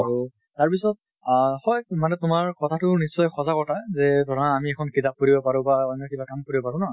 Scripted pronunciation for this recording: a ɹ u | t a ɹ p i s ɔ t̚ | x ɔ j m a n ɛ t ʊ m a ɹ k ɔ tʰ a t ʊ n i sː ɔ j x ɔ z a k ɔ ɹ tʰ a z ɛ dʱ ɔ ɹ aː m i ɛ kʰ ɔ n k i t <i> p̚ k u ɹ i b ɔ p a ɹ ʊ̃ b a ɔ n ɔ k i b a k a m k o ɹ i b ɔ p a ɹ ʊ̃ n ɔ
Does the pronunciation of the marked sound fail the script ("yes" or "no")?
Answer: yes